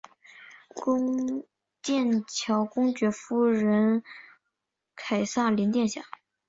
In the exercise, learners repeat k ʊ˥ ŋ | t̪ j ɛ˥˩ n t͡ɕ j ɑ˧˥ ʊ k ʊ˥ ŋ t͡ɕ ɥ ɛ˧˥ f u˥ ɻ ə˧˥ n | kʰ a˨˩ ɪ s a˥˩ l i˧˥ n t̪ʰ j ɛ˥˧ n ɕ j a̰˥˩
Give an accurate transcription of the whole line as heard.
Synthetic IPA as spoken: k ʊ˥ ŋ | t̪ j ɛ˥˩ n t͡ɕʰ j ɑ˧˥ ʊ k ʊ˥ ŋ t͡ɕ ɥ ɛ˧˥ f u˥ ɻ ə˧˥ n | kʰ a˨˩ ɪ s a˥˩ l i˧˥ n t̪ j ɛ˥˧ n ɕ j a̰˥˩